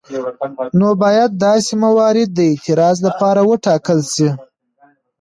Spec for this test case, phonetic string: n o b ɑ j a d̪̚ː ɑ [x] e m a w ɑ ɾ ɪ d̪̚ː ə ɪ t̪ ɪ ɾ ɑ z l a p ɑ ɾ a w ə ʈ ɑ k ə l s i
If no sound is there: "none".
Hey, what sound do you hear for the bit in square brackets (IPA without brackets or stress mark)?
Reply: s